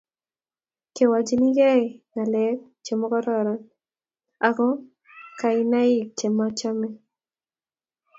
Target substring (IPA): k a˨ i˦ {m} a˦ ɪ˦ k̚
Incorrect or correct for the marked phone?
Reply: incorrect: n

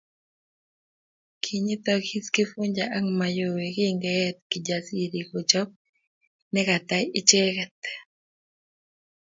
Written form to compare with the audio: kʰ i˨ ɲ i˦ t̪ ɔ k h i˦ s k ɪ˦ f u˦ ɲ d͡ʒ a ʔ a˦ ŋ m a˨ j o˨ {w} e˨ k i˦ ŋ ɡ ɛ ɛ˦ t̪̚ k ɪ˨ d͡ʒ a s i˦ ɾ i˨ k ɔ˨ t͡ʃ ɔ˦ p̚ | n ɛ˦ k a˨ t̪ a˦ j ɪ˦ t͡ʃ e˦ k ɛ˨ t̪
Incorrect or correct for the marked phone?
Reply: correct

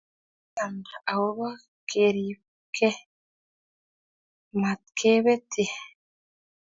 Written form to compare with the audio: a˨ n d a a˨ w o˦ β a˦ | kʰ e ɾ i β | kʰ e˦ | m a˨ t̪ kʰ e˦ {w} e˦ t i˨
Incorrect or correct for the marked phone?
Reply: incorrect: β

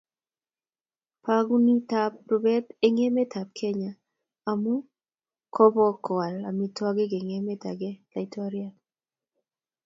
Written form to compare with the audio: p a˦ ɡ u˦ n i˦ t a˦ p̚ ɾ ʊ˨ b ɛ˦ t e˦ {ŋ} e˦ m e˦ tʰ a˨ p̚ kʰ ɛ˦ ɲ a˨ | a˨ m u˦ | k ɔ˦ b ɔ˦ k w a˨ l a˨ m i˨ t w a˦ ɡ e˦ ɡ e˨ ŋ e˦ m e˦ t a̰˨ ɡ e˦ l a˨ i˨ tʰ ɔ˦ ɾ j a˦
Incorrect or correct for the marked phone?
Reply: correct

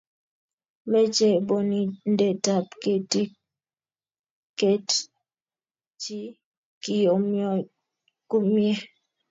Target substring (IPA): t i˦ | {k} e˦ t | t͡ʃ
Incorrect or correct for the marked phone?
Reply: correct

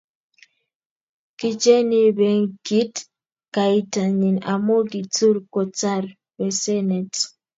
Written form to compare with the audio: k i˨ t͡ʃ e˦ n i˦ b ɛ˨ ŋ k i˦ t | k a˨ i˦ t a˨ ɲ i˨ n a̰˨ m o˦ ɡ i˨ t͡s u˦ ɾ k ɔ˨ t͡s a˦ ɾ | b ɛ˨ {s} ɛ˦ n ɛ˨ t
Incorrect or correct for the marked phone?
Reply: correct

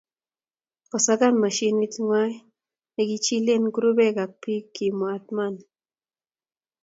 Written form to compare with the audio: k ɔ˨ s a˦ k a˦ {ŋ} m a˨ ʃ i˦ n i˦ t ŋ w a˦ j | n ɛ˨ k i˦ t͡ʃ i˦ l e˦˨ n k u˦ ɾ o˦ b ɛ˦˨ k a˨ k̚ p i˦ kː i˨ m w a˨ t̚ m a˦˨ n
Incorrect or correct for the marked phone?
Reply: incorrect: n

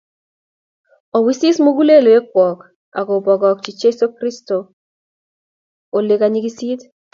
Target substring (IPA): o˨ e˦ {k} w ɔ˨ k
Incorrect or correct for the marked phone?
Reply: correct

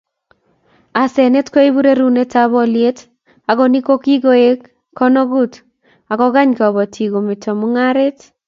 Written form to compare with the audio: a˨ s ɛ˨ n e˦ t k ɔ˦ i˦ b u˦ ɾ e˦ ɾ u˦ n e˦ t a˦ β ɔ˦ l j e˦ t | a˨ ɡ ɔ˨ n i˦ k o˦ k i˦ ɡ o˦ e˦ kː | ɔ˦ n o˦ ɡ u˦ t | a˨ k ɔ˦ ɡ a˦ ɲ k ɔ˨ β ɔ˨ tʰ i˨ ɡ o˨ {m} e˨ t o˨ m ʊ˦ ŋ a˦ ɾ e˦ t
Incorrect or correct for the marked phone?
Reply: correct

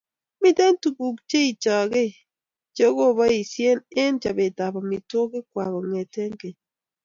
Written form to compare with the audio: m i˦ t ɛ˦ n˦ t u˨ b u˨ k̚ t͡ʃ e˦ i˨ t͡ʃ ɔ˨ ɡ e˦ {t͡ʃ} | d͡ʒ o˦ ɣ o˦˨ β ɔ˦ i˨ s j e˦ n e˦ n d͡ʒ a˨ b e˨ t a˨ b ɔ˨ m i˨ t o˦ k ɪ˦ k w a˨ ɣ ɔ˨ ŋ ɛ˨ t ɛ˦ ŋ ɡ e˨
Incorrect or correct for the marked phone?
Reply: incorrect: none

